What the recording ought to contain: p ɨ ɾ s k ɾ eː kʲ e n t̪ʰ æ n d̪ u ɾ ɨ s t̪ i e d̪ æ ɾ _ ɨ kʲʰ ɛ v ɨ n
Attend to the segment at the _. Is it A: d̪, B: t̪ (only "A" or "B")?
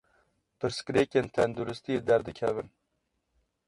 A